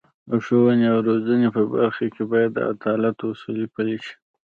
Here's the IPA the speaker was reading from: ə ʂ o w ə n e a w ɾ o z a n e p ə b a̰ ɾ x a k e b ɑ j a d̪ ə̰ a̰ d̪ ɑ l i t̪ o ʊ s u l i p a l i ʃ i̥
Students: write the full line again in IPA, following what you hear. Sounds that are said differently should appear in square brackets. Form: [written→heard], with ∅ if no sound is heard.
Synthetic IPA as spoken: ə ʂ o w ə n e a w ɾ o z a n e p ə b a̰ ɾ x a k e b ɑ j a [d̪→d̪ː] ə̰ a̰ d̪ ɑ l [i→a] t̪ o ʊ s u l i p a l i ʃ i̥